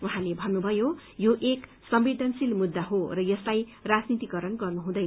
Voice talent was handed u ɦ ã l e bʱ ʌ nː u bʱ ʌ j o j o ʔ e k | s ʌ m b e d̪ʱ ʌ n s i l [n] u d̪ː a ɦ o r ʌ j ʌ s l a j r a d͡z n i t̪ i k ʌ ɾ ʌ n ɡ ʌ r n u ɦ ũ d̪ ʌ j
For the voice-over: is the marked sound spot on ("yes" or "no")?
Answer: no